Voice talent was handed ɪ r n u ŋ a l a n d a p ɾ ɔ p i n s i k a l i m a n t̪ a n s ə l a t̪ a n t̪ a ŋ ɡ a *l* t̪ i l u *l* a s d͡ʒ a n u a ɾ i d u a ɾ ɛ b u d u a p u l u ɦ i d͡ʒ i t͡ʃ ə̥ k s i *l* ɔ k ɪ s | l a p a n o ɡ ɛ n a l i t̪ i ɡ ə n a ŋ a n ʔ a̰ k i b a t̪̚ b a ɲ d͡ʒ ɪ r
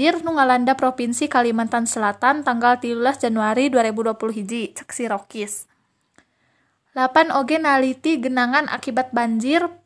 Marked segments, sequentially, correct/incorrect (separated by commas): correct, correct, incorrect